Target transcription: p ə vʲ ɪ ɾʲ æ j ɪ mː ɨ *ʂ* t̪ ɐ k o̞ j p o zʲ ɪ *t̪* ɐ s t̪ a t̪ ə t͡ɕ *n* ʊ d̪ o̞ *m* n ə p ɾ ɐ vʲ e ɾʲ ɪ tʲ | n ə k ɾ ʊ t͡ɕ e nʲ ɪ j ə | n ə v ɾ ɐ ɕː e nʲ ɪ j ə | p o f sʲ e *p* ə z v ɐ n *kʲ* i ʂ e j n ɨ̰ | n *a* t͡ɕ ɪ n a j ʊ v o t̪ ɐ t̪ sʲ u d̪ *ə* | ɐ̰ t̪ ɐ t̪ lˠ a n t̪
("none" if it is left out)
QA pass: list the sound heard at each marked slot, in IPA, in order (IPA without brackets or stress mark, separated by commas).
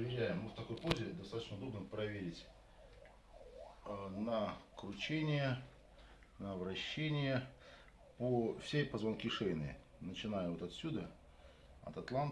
f, d̪, n, b, p, kʲ, ə, ə